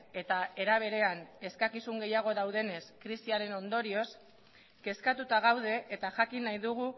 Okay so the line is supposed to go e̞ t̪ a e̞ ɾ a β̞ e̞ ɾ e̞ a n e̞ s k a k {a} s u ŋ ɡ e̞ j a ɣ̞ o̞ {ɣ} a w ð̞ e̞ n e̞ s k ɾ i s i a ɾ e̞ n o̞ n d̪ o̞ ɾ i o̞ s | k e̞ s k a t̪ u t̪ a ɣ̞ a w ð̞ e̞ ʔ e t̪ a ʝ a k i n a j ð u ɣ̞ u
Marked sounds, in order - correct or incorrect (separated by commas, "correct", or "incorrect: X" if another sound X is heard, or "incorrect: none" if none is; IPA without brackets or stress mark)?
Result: incorrect: i, incorrect: ð